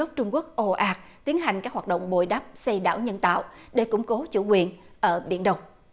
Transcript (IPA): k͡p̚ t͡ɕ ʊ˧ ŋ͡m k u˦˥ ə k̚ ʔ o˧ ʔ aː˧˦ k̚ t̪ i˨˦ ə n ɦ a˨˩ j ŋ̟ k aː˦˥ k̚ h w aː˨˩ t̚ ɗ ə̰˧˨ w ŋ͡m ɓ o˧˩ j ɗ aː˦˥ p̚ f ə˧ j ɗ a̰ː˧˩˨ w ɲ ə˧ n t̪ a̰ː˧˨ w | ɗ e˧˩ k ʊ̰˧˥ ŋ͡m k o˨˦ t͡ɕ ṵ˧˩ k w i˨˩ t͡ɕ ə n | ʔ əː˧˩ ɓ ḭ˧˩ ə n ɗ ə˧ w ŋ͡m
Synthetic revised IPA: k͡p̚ t͡ɕ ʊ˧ ŋ͡m k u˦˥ ə k̚ ʔ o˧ ʔ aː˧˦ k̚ t̪ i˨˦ ə n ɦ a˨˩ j ŋ̟ k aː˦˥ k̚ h w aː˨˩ t̚ ɗ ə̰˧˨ w ŋ͡m ɓ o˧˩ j ɗ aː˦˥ p̚ s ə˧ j ɗ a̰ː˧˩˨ w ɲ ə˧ n t̪ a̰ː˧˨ w | ɗ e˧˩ k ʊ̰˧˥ ŋ͡m k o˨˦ t͡ɕ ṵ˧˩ k w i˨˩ ə n | ʔ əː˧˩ ɓ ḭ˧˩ ə n ɗ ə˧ w ŋ͡m